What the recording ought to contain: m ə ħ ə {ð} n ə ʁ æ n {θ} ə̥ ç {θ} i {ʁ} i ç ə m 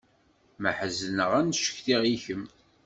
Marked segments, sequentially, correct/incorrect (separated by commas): incorrect, incorrect, correct, correct